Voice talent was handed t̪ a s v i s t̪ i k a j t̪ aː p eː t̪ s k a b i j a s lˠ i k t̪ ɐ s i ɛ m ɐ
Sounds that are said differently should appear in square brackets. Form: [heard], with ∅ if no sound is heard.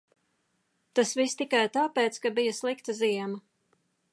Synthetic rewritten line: t̪ a s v i s t̪ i k a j t̪ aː p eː t̪ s k a b i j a s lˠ i k t̪ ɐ [z] i ɛ m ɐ